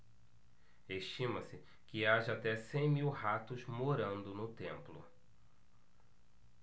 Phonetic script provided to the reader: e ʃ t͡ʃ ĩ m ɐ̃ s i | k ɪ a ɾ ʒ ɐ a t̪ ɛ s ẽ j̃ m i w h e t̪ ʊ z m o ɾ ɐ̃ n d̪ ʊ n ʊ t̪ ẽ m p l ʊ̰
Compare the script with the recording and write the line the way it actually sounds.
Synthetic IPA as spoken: e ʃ t͡ʃ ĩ m ɐ s ɪ | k ɪ a ʒ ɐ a t̪ ɛ s ẽ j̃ m i w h a t̪ ʊ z m o ɾ ɐ̃ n d̪ ʊ n ʊ t̪ ẽ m p l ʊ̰